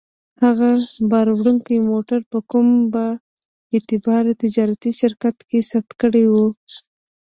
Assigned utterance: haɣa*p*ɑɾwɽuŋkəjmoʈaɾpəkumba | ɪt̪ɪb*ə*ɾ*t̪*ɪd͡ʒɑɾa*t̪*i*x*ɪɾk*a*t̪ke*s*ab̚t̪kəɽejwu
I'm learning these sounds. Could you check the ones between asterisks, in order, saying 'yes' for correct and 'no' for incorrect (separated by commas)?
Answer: no, no, yes, yes, no, yes, yes